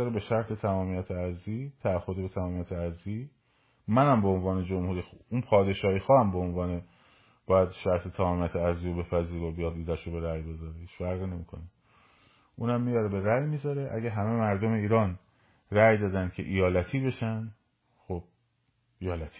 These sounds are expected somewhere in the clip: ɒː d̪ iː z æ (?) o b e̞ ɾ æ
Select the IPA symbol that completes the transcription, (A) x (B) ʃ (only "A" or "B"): B